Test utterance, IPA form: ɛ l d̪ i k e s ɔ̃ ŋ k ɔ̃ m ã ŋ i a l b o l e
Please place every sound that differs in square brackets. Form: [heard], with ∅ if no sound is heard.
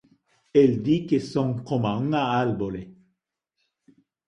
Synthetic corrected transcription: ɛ l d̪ i k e s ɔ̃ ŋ k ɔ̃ m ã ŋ [a] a l b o l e